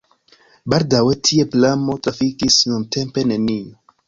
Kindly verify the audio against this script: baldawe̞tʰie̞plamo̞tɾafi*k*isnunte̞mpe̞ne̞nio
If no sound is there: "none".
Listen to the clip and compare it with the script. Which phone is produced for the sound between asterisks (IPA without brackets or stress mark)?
k